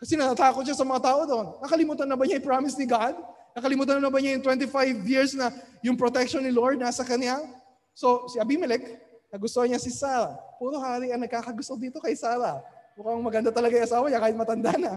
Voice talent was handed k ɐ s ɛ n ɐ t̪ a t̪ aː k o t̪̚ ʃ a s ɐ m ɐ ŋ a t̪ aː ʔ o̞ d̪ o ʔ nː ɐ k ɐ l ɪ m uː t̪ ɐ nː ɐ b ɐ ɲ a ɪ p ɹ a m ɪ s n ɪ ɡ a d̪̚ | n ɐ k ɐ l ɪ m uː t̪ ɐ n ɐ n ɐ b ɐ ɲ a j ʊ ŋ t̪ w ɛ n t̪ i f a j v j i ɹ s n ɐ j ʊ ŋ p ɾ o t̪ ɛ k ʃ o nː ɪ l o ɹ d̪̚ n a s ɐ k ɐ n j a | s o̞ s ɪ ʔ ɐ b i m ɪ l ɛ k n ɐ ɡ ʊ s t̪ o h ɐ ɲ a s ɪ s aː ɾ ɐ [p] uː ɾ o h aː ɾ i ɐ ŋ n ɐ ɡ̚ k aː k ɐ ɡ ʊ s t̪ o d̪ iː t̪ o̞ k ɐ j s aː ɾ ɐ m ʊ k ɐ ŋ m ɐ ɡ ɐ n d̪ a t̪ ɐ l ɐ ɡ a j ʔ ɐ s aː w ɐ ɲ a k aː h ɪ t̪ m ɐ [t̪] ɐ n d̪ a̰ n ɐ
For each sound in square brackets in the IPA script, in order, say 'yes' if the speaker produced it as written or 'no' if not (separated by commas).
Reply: yes, yes